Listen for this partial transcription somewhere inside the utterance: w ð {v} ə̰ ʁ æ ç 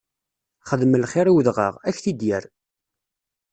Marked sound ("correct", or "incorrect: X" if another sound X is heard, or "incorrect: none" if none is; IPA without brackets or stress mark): incorrect: ʁ